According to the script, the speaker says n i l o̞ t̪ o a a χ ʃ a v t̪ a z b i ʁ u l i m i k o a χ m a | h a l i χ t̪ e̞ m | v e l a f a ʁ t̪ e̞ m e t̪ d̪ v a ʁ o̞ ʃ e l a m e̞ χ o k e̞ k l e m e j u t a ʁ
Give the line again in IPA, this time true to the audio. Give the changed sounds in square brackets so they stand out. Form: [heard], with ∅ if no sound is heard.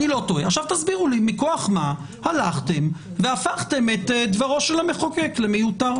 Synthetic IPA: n i l o̞ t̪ o [e] a χ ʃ a v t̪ a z b i ʁ u l i m i k o a χ m a | h a l [a] χ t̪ e̞ m | v e [∅] a f a [χ] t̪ e̞ m e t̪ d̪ v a ʁ o̞ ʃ e l a m e̞ χ o k e̞ k l e m e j u t a ʁ